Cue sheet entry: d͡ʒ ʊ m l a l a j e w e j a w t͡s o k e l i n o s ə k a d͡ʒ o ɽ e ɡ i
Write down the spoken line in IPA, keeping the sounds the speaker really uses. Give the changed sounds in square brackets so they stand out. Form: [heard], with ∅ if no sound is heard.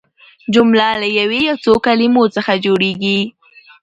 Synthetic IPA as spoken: d͡ʒ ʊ m l a l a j [a] w e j a w t͡s o k [a] l i [m] o [t͡s] ə [x] a d͡ʒ o ɽ e ɡ i